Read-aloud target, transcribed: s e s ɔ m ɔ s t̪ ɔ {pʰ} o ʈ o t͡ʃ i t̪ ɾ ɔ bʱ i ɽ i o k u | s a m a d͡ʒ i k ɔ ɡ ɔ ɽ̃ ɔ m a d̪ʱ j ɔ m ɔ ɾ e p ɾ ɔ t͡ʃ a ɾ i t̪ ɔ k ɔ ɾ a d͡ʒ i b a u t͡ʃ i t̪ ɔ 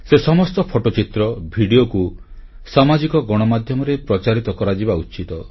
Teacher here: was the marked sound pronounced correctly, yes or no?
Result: yes